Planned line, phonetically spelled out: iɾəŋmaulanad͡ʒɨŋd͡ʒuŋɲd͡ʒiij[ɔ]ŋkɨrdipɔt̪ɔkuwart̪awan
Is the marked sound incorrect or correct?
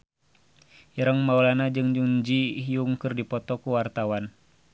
incorrect